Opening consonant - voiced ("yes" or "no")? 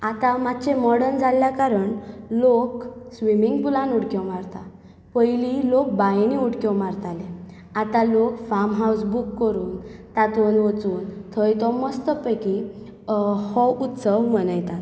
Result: no